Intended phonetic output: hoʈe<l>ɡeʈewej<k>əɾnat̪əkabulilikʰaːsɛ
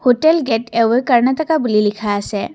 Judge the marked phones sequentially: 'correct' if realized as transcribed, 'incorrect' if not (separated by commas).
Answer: correct, correct